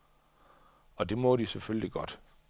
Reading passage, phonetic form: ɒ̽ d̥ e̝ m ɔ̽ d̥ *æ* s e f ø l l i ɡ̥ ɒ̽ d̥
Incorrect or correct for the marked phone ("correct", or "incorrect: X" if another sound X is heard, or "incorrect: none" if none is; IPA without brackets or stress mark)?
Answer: incorrect: i